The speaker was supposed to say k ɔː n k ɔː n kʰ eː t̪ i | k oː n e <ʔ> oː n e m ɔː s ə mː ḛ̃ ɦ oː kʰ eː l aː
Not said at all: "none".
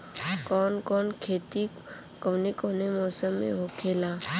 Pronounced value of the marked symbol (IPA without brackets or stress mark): k